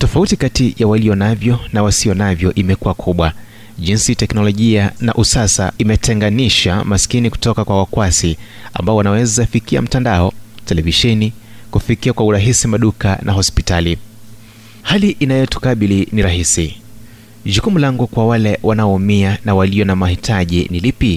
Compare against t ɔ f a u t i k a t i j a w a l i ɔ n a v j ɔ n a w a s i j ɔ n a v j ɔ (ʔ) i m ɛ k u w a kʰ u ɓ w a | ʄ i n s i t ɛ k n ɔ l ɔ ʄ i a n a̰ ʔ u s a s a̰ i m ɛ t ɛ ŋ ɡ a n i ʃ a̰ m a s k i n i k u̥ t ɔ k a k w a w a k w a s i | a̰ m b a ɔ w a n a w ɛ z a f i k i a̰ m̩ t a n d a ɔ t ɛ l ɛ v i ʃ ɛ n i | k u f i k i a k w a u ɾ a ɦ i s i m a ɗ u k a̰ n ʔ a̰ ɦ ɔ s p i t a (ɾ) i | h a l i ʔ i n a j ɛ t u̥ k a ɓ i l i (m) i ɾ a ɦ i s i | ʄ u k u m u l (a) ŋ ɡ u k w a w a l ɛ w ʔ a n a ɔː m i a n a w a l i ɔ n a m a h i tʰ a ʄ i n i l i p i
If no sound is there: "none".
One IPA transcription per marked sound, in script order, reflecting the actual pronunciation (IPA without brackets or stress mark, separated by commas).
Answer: ʔ, l, n, a